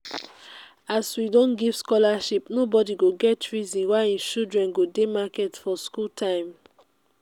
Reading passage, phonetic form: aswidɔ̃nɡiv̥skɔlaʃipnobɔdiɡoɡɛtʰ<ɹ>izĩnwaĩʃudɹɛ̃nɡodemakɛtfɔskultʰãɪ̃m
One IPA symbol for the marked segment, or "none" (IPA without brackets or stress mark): ɹ